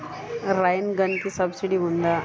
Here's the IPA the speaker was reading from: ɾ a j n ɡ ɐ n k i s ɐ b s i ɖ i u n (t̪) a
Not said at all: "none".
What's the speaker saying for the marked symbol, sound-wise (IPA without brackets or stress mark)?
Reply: d̪